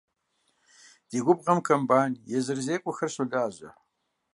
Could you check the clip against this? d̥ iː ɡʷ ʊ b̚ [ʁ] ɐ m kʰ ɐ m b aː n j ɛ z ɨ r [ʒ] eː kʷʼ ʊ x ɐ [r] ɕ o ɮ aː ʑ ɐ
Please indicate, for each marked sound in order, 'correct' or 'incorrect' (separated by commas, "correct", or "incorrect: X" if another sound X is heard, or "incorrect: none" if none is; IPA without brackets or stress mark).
correct, incorrect: z, correct